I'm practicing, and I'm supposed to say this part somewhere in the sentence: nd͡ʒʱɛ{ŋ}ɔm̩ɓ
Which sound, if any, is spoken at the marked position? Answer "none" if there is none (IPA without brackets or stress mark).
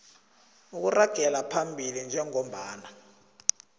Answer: ŋ